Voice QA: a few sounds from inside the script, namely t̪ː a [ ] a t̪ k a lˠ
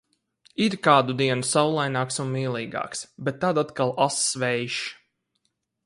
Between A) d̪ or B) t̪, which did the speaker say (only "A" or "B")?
A